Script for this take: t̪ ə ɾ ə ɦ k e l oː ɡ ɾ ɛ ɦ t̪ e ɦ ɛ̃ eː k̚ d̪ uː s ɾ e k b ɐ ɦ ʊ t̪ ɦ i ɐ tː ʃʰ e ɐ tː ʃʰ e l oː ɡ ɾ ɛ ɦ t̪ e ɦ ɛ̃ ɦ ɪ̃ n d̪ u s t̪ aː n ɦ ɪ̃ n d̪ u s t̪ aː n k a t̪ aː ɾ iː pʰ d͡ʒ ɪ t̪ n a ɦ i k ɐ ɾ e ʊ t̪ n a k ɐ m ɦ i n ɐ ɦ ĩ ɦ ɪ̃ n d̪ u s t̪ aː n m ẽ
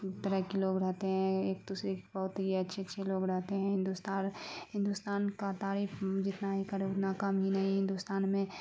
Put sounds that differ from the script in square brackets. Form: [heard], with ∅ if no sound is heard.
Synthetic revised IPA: t̪ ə ɾ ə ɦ k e l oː ɡ ɾ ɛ ɦ t̪ e ɦ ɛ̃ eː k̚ d̪ uː s ɾ e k b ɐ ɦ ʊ t̪ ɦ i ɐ tː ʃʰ e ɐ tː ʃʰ e l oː ɡ ɾ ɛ ɦ t̪ e ɦ ɛ̃ ɦ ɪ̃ n d̪ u s t̪ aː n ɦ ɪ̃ n d̪ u s t̪ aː n k a t̪ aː ɾ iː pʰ d͡ʒ ɪ t̪ n a ɦ i k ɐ ɾ e ʊ t̪ n a k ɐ m ɦ i n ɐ ɦ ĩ ɦ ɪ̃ n d̪ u s t̪ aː n m ẽ